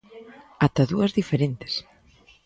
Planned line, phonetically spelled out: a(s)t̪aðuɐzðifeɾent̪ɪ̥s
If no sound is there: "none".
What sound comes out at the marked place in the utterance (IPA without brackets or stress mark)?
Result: none